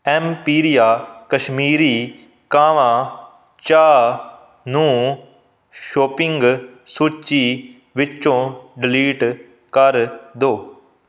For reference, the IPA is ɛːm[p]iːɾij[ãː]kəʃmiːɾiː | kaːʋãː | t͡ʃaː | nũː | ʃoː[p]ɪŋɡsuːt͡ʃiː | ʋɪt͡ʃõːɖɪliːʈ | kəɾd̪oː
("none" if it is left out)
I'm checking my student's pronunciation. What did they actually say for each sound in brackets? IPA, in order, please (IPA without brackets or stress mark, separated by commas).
p, aː, p